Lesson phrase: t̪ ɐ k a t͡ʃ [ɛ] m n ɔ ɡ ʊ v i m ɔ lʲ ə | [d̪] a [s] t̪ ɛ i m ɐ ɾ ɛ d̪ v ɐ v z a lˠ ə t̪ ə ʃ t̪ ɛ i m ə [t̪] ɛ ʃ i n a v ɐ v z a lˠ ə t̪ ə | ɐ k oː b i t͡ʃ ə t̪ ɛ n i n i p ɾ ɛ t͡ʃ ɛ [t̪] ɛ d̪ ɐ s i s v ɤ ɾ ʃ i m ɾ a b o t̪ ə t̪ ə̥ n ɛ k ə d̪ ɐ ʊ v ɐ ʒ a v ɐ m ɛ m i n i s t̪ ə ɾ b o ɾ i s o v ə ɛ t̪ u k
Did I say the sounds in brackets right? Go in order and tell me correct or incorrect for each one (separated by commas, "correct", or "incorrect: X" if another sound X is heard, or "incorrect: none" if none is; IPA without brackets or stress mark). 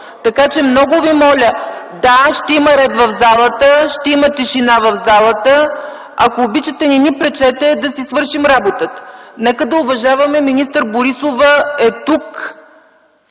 correct, correct, incorrect: ʃ, correct, correct